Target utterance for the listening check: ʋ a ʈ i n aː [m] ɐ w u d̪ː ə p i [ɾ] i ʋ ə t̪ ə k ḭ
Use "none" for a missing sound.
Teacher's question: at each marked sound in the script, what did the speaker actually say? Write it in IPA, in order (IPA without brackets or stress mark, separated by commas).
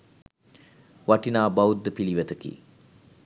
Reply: b, l